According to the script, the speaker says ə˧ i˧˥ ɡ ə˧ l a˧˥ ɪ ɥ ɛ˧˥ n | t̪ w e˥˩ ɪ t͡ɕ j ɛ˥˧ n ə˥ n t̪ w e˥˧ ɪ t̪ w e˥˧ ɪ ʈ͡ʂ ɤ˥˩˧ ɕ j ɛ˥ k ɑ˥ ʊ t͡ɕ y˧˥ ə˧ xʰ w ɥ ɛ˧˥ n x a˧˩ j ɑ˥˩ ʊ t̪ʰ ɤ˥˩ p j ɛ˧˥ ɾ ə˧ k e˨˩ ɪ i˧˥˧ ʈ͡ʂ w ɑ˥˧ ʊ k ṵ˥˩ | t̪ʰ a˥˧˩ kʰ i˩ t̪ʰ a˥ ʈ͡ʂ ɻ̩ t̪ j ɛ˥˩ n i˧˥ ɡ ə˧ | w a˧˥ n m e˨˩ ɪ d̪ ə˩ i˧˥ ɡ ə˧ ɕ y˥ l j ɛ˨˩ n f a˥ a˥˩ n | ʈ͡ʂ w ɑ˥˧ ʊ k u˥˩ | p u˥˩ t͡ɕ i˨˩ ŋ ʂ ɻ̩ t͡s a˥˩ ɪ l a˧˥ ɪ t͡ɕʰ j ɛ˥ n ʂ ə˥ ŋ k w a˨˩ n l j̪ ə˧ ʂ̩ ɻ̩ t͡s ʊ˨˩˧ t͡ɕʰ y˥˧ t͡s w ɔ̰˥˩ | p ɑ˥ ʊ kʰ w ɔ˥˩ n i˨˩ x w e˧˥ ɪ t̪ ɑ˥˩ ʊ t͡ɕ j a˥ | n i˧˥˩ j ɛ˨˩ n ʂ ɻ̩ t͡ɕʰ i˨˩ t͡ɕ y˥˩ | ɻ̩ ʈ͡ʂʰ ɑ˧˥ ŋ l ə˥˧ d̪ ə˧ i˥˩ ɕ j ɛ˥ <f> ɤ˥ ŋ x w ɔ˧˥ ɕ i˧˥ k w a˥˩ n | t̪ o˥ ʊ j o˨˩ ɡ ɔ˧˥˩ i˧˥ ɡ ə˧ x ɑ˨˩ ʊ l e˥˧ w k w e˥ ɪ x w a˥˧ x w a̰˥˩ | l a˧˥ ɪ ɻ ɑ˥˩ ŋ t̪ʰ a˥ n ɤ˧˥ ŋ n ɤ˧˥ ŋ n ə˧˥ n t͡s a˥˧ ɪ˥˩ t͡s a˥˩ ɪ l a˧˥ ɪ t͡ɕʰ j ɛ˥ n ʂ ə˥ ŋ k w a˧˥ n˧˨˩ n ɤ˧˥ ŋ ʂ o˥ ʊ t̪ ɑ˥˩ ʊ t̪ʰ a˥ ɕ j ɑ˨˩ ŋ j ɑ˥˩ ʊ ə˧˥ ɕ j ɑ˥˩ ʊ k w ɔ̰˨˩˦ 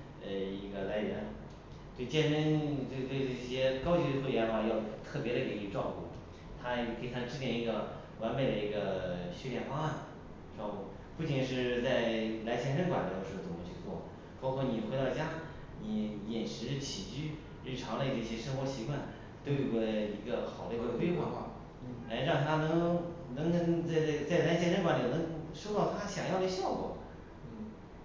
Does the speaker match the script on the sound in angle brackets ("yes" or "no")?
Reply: no